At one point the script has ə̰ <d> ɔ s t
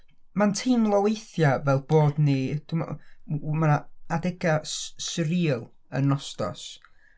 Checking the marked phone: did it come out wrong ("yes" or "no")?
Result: yes